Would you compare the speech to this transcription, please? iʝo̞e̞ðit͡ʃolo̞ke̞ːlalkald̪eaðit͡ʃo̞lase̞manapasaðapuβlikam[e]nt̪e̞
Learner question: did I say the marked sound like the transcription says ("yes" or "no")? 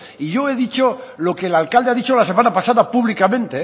no